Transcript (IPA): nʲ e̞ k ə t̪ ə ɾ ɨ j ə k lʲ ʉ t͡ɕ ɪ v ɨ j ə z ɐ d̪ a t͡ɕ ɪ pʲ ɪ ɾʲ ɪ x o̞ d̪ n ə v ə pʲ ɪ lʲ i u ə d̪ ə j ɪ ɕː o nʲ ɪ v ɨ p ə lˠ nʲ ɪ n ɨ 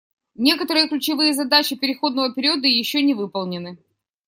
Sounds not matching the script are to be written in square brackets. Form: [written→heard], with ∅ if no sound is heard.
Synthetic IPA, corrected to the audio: nʲ e̞ k ə t̪ ə ɾ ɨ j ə k lʲ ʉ t͡ɕ ɪ v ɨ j ə z ɐ d̪ a t͡ɕ ɪ pʲ ɪ ɾʲ ɪ x o̞ d̪ n ə v ə pʲ ɪ [lʲ→ɾʲ] i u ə d̪ ə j ɪ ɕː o nʲ ɪ v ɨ p ə lˠ nʲ ɪ n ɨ